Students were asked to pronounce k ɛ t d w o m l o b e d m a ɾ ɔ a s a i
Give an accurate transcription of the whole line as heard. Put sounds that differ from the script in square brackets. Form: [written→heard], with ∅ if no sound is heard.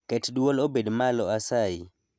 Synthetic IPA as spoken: k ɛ t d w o [m→∅] l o b e d m a [ɾ→l] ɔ a s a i